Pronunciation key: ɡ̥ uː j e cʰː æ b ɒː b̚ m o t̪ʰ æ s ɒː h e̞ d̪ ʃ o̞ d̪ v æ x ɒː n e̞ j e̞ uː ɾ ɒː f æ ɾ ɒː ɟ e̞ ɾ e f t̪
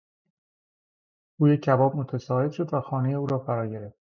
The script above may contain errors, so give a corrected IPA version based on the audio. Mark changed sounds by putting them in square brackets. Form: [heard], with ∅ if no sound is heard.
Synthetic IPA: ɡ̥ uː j e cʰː æ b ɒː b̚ m o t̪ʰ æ s ɒː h e̞ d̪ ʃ o̞ d̪ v æ x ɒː n e̞ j e̞ uː ɾ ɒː f æ ɾ ɒː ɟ e̞ ɾ e f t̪

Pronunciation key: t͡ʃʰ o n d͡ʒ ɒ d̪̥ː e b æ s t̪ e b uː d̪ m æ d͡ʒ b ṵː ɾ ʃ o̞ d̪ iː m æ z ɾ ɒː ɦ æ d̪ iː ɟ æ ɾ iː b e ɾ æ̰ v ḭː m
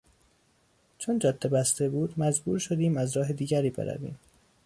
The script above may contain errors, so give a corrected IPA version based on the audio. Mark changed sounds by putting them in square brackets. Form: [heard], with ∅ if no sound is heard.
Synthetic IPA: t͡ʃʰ o n d͡ʒ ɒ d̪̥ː e b æ s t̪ e b uː d̪ m æ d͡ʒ b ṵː ɾ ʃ o̞ d̪ iː m æ z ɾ ɒː ɦ [e] d̪ iː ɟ æ ɾ iː b e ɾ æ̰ v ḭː m

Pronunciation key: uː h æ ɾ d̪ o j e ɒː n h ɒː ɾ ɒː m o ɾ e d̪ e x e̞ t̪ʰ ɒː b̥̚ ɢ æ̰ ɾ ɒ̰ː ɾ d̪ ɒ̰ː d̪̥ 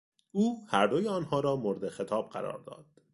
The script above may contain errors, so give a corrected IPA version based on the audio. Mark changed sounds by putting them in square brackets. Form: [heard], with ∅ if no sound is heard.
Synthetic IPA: uː h æ ɾ d̪ o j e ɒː n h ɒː ɾ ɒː m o ɾ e d̪ e x e̞ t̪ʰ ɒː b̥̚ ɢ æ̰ ɾ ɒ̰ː ɾ d̪ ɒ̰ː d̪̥

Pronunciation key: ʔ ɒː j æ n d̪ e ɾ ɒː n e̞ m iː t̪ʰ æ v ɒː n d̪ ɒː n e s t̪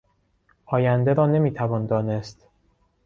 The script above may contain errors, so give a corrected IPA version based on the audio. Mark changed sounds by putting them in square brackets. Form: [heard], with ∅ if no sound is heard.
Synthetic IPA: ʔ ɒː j æ n d̪ e ɾ ɒː n e̞ m iː t̪ʰ æ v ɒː n d̪ ɒː n e s t̪

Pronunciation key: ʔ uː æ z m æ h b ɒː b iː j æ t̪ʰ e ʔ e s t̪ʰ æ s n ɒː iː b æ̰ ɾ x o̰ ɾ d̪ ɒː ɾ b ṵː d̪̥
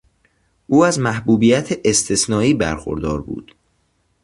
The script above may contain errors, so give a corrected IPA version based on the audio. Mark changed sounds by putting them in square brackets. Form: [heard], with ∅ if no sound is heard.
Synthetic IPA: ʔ uː æ z m æ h b [uː] b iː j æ t̪ʰ e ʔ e s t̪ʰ [e] s n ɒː iː b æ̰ ɾ x o̰ ɾ d̪ ɒː ɾ b ṵː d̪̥

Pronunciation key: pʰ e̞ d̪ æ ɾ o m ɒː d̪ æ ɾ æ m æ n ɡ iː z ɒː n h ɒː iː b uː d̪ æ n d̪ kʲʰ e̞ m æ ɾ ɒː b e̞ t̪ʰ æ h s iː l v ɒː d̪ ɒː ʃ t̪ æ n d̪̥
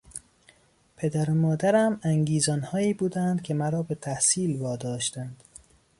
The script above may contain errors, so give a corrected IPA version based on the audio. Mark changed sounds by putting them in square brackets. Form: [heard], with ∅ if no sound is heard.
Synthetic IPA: pʰ e̞ d̪ æ ɾ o m ɒː d̪ æ ɾ æ m æ [ŋ] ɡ iː z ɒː n h ɒː iː b uː d̪ æ n d̪ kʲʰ e̞ m æ ɾ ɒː b e̞ t̪ʰ æ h s iː l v ɒː d̪ ɒː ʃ t̪ æ n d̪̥

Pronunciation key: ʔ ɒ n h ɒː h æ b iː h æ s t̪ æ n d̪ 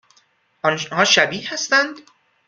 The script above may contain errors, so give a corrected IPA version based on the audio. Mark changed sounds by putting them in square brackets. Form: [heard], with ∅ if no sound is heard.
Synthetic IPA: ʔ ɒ n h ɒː [ʃ] æ b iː h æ s t̪ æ n d̪

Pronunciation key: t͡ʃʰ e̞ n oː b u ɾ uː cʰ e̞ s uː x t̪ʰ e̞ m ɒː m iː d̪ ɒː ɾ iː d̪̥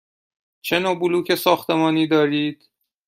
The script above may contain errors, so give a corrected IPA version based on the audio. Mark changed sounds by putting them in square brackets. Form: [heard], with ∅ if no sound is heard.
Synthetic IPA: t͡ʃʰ e̞ n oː b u [l] uː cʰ e̞ s [ɒː] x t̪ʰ e̞ m ɒː [n] iː d̪ ɒː ɾ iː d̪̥

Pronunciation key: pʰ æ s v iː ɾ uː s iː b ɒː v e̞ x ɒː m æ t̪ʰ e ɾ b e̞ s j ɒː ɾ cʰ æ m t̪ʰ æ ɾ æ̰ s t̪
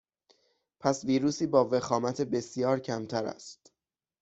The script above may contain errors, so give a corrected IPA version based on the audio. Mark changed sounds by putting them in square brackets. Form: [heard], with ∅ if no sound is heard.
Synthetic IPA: pʰ æ s v iː ɾ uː s iː b ɒː v e̞ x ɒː m æ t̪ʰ e [∅] b e̞ s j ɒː ɾ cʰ æ m t̪ʰ æ ɾ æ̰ s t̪

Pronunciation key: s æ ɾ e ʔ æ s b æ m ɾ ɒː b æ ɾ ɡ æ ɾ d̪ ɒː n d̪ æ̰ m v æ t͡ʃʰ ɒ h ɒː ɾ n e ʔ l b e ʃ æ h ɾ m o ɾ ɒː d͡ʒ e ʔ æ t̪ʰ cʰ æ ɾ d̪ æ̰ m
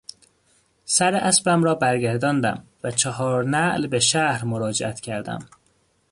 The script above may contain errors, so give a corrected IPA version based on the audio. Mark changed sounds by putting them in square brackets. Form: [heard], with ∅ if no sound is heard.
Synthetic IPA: s æ ɾ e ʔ æ s b æ m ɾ ɒː b æ ɾ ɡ æ ɾ d̪ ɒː n d̪ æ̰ m v æ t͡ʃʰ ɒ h ɒː ɾ n [æ] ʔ l b e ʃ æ h ɾ m o ɾ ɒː d͡ʒ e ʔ æ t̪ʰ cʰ æ ɾ d̪ æ̰ m

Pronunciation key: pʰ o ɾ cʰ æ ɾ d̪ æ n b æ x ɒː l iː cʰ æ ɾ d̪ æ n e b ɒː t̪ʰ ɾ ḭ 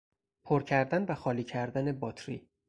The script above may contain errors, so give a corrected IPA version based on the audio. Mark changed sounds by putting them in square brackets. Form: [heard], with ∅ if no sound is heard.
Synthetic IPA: pʰ o ɾ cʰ æ ɾ d̪ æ n [v] æ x ɒː l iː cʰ æ ɾ d̪ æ n e b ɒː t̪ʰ ɾ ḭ

